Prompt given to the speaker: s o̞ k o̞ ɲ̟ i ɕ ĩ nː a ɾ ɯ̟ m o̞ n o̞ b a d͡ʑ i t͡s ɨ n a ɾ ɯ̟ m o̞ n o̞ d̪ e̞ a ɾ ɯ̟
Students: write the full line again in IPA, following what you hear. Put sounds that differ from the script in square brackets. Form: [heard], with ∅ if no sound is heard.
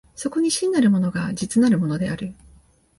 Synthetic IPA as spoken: s o̞ k o̞ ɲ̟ i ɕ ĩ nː a ɾ ɯ̟ m o̞ n o̞ [ɡ] a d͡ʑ i t͡s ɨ n a ɾ ɯ̟ m o̞ n o̞ d̪ e̞ a ɾ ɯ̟